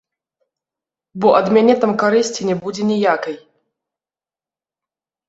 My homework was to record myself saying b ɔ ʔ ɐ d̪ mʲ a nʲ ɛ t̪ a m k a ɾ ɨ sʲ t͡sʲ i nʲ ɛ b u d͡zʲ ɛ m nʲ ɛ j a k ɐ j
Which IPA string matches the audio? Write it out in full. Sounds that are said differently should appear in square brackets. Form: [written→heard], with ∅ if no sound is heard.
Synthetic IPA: b ɔ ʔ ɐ d̪ mʲ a nʲ ɛ t̪ a m k a ɾ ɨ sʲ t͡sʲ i nʲ ɛ b u d͡zʲ ɛ [m→∅] nʲ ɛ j a k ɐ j